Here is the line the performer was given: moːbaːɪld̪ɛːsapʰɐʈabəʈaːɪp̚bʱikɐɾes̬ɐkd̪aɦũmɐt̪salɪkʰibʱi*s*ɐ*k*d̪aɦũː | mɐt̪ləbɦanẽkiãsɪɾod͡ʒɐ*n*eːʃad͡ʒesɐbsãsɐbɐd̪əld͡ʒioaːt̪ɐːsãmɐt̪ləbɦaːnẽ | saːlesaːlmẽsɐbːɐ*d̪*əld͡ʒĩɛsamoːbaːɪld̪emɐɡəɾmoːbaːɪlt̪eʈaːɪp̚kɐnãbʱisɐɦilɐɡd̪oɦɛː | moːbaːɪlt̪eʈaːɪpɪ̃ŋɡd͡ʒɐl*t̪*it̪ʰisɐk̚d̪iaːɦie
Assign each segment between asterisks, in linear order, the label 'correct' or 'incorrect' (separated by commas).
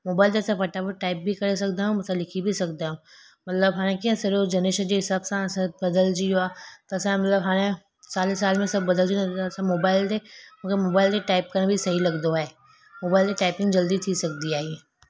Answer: correct, correct, correct, correct, incorrect